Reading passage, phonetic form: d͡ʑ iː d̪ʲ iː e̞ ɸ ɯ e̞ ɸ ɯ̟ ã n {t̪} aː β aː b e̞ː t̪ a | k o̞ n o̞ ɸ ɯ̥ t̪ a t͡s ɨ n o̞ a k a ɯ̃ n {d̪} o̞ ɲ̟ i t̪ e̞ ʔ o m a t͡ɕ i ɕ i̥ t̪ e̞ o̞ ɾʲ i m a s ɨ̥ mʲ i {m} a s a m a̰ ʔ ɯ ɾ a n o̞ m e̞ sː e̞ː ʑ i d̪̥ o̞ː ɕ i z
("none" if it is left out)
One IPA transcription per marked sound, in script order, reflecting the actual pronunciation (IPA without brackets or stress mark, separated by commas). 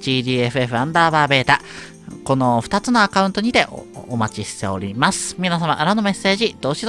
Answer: d̪, t̪, n